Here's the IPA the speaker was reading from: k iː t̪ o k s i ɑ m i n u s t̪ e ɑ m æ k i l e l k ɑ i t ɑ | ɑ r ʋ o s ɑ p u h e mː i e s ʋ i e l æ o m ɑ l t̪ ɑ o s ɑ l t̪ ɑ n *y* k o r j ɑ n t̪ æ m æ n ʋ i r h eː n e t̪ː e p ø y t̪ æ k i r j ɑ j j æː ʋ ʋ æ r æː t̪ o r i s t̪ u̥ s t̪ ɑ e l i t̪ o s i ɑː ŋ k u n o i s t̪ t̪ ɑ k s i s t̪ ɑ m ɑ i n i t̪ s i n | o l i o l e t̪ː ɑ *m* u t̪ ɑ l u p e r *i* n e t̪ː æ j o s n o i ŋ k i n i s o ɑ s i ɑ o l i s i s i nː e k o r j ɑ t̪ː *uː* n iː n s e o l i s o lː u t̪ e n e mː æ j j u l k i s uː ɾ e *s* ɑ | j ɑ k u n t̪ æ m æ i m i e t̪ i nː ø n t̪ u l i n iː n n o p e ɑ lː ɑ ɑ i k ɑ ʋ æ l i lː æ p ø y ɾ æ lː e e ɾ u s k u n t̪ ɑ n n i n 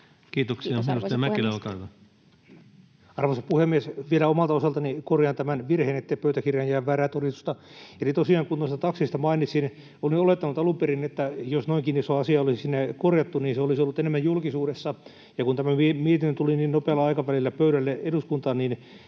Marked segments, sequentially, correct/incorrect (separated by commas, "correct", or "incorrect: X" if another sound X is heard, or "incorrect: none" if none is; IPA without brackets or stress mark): incorrect: i, incorrect: n, correct, incorrect: u, incorrect: sː